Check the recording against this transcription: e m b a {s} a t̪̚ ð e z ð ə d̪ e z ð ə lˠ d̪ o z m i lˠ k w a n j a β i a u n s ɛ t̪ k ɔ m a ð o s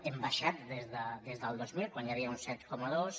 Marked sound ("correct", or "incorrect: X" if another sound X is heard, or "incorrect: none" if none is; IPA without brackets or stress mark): incorrect: ʃ